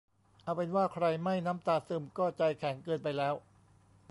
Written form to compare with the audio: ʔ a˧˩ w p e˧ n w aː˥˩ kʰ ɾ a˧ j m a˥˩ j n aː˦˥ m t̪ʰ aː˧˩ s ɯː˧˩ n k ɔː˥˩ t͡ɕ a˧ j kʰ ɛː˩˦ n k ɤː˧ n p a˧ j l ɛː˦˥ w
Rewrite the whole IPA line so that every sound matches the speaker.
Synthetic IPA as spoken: ʔ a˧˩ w p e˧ n w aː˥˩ kʰ ɾ a˧ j m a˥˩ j n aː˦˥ m t̪ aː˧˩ s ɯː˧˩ m k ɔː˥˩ t͡ɕ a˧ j kʰ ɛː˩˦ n k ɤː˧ n p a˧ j l ɛː˦˥ w

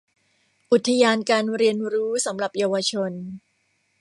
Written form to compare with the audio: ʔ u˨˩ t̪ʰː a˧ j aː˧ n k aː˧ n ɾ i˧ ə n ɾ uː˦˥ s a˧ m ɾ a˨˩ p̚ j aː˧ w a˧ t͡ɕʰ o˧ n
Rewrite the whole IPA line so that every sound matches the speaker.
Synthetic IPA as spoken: ʔ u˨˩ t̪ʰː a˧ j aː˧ n k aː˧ n ɾ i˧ ə n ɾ uː˦˥ s a˩˦ m ɾ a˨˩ p̚ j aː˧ w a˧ t͡ɕʰ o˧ n

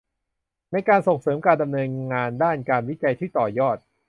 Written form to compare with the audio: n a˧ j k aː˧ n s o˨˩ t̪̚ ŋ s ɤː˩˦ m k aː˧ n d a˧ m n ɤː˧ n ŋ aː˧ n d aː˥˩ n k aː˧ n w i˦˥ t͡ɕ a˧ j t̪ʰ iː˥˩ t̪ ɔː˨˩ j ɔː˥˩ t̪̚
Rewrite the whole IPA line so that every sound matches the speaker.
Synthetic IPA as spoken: n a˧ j k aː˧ n s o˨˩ ŋ s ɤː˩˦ m k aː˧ n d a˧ m n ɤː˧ n ŋ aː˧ n d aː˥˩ n k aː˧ n w i˦˥ t͡ɕ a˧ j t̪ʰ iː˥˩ t̪ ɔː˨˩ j ɔː˥˩ t̪̚

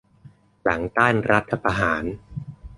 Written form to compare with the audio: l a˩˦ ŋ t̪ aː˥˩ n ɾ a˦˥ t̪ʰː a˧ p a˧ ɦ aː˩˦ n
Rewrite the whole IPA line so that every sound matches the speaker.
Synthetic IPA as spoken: l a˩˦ ŋ t̪ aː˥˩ n ɾ a˦˥ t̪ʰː a˧ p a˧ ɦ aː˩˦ n

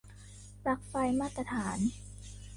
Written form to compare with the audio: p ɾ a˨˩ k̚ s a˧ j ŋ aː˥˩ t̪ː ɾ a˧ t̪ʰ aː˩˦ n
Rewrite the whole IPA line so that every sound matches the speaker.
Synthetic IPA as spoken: p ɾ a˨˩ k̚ f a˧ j m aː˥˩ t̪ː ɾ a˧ t̪ʰ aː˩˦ n

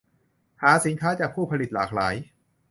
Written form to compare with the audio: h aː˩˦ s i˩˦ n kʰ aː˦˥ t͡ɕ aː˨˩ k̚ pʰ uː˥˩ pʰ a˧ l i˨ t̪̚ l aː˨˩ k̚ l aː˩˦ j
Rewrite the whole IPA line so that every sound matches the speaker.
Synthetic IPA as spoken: h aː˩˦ s i˩˦ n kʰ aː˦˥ t͡ɕ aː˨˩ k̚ pʰ uː˥˩ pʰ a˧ l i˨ t̪̚ l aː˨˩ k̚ l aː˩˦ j

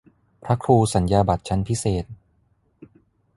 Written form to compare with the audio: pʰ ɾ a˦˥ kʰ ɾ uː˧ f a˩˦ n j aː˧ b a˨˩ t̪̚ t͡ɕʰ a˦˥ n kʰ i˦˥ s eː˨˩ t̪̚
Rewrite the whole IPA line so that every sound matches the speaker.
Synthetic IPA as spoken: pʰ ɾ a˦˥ kʰ ɾ uː˧ s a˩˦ n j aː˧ b a˨˩ t̪̚ t͡ɕʰ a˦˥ n pʰ i˦˥ s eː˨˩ t̪̚

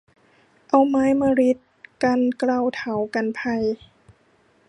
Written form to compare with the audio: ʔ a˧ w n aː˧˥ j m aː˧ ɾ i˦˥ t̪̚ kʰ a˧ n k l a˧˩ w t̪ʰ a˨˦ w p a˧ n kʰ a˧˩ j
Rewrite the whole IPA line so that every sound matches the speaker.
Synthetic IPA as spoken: ʔ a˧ w m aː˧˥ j m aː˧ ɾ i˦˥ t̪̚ k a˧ n k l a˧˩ w t̪ʰ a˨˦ w k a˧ n pʰ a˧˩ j

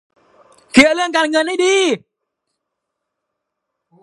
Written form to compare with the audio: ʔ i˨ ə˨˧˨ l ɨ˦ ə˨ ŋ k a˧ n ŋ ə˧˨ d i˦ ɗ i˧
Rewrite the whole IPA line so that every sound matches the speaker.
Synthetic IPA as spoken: k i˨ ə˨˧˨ l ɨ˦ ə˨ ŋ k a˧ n ŋ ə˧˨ n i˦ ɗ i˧

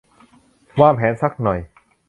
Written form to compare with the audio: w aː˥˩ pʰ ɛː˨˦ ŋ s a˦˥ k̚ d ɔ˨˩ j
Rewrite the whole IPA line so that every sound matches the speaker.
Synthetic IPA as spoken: w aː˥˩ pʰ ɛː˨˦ n s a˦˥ k̚ n ɔ˨˩ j

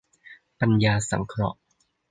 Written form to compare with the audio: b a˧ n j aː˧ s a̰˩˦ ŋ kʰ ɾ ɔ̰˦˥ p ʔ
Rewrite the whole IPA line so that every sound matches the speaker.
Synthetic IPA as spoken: p a˧ n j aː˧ s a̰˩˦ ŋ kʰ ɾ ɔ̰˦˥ ʔ

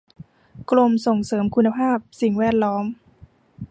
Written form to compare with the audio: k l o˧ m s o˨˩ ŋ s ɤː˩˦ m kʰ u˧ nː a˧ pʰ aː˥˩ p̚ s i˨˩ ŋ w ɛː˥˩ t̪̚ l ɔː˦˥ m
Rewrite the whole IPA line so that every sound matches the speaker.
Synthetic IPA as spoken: k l o˧ m s o˨˩ ŋ s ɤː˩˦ m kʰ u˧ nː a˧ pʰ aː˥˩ p̚ s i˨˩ ŋ w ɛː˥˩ t̪̚ l ɔː˦˥ m

